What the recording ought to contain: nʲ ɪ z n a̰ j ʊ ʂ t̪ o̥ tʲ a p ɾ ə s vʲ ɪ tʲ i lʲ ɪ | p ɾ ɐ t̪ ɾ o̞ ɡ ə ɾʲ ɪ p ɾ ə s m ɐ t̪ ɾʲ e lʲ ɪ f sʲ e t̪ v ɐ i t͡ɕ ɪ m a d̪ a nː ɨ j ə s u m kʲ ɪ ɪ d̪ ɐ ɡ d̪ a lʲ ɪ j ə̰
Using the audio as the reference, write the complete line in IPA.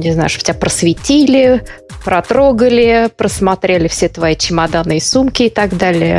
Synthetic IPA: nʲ ɪ z n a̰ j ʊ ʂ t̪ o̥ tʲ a p ɾ ə s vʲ ɪ tʲ i lʲ ɪ | p ɾ ɐ t̪ ɾ o̞ ɡ ə lʲ ɪ p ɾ ə s m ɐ t̪ ɾʲ e lʲ ɪ f sʲ e t̪ v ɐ i t͡ɕ ɪ m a d̪ a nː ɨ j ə s u m kʲ ɪ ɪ t̪ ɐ ɡ d̪ a lʲ ɪ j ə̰